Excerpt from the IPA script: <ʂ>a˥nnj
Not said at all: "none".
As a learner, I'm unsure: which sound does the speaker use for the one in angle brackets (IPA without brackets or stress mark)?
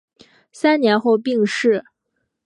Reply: s